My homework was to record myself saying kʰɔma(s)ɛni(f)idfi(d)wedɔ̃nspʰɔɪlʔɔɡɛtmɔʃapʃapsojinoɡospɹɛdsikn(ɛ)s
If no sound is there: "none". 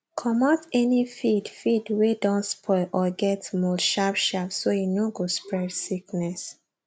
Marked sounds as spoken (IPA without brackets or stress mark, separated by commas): t, f, d, ɛ